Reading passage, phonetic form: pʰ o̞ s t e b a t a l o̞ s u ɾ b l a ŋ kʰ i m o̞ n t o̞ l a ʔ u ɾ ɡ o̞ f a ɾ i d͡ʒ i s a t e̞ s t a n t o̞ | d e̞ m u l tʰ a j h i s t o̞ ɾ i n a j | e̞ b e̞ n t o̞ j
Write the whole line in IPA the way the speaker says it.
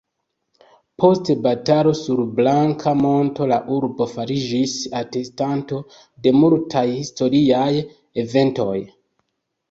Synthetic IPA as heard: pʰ o̞ s t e b a t a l o̞ s u ɾ b l a ŋ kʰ a m o̞ n t o̞ l a ʔ u ɾ b o̞ f a ɾ i d͡ʒ i s a t e̞ s t a n t o̞ | d e̞ m u l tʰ a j h i s t o̞ ɾ i a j | e̞ v e̞ n t o̞ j